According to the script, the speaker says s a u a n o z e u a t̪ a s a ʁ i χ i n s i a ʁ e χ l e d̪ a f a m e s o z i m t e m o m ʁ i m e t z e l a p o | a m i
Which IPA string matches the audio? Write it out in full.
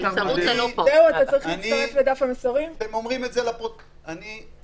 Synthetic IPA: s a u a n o z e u a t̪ a t͡s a ʁ i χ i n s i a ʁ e f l e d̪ a f a m e s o ʁ i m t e m o m ʁ i m e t z e l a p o | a n i

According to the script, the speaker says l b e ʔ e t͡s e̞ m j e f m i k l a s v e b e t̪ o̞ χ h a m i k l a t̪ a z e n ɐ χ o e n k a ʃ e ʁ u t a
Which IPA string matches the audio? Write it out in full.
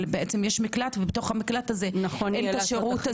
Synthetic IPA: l b e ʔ e t͡s e̞ m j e ʃ m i k l a t v e b e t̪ o̞ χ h a m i k l a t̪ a z e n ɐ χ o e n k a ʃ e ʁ u t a

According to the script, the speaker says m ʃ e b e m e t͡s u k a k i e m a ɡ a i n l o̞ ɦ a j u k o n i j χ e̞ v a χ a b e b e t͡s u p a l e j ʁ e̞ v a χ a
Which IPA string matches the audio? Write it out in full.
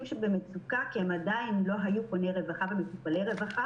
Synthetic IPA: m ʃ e b e m e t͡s u k a k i e m a d a i n l o̞ ɦ a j u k o n e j ʁ e̞ v a χ a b e m e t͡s u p a l e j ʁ e̞ v a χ a

